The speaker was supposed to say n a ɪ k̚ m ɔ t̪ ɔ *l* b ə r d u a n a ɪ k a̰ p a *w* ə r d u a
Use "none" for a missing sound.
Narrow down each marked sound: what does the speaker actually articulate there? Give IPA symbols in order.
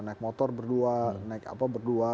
r, b

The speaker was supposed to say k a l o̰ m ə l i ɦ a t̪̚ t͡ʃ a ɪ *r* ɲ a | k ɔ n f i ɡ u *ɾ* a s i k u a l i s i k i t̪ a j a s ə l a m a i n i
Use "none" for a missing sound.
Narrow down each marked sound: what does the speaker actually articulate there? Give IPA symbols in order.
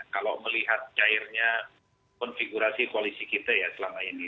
r, ɾ

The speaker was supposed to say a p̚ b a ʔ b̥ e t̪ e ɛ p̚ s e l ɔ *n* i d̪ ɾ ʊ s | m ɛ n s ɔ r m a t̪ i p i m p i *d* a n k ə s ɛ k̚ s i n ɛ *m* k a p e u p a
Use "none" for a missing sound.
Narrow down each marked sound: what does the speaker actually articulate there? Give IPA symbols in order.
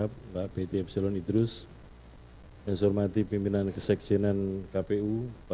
n, n, n

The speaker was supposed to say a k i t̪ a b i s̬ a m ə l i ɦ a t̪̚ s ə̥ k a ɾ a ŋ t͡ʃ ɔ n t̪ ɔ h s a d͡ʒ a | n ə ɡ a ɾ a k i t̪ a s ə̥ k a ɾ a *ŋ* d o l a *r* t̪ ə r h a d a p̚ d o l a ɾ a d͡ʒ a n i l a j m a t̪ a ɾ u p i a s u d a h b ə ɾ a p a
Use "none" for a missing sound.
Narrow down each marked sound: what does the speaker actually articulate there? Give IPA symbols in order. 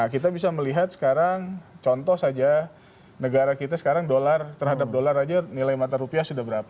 ŋ, r

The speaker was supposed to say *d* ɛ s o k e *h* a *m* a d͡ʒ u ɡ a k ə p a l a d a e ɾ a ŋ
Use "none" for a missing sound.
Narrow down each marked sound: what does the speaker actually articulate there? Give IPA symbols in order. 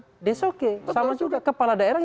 d, s, m

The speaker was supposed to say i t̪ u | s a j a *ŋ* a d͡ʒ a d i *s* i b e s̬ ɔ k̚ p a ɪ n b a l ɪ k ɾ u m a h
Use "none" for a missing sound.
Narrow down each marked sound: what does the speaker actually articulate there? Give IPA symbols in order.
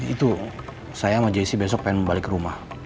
m, s

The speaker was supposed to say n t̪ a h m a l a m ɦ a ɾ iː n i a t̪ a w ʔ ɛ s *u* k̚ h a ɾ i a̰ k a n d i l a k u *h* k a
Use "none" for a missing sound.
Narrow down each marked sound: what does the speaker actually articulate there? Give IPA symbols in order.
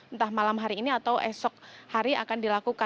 ɔ, none

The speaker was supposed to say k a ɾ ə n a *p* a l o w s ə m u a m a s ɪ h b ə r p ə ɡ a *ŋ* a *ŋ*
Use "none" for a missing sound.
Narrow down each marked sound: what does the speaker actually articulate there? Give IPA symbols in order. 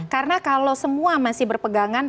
k, ŋ, n

